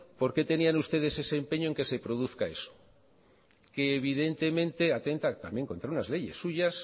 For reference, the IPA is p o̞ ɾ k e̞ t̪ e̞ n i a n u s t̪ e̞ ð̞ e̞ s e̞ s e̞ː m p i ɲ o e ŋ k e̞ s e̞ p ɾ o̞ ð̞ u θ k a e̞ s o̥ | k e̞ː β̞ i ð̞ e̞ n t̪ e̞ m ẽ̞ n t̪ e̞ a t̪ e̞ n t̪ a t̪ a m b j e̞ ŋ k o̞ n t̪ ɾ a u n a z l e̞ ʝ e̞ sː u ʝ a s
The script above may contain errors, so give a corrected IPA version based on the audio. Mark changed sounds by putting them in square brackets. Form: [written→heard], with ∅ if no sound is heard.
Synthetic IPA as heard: p o̞ ɾ k e̞ t̪ e̞ n i a n u s t̪ e̞ ð̞ e̞ s e̞ s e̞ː m p [i→e] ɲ o e ŋ k e̞ s e̞ p ɾ o̞ ð̞ u θ k a e̞ s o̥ | k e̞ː β̞ i ð̞ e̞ n t̪ e̞ m ẽ̞ n t̪ e̞ a t̪ e̞ n t̪ a t̪ a m b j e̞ ŋ k o̞ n t̪ ɾ a u n a z l e̞ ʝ e̞ sː u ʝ a s